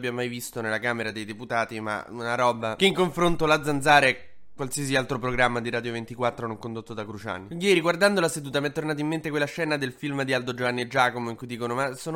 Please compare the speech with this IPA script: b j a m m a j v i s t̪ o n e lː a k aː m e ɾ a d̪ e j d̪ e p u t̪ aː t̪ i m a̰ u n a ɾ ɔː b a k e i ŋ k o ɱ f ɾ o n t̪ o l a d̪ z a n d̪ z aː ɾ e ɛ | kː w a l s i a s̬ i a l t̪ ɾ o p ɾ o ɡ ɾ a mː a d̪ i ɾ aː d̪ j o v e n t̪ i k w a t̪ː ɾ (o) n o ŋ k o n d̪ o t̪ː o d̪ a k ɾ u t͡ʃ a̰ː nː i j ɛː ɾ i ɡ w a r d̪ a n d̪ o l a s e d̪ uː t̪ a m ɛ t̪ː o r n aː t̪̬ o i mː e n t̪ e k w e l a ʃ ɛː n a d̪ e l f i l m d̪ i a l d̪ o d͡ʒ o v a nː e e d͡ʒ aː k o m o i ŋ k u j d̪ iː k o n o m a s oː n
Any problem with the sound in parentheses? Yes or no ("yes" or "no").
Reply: no